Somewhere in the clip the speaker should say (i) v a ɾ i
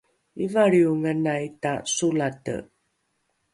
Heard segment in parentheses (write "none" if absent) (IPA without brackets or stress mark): i